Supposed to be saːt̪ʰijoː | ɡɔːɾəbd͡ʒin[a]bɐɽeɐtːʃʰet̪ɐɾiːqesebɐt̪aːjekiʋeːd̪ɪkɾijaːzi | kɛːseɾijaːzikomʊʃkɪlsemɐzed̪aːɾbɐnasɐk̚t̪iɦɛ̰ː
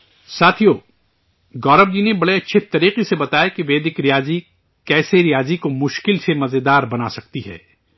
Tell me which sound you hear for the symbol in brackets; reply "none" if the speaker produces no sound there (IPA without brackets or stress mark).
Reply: e